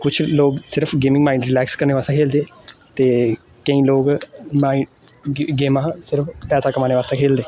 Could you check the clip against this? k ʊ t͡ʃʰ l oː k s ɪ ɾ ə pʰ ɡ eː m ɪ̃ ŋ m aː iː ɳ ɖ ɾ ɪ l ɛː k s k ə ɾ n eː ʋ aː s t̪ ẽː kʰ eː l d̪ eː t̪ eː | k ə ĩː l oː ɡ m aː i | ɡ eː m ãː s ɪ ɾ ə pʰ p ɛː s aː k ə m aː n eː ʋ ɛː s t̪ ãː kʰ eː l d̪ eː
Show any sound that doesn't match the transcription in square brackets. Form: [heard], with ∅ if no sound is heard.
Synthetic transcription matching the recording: k ʊ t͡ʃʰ l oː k s ɪ ɾ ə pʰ ɡ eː m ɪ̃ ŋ m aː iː ɳ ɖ ɾ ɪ l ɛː k s k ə ɾ n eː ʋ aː s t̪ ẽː kʰ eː l d̪ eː t̪ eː | k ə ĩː l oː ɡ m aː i | ɡ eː m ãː s ɪ ɾ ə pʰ p ɛː s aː k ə m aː n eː ʋ [aː] s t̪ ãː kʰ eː l d̪ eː